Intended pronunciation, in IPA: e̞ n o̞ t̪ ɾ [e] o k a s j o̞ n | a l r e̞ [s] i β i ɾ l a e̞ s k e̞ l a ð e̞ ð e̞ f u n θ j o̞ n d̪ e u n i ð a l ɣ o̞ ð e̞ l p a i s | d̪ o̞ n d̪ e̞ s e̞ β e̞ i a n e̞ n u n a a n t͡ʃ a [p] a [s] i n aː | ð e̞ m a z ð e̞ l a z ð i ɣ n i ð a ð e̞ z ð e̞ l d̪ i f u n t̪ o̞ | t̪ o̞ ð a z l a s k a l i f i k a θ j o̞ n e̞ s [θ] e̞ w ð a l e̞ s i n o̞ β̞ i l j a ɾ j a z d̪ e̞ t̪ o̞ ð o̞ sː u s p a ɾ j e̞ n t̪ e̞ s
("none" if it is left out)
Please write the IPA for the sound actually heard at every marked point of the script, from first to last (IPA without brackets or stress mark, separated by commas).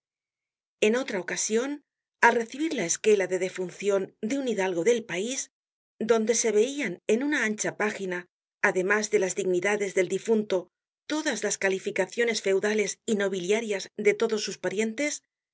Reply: a, θ, p, x, f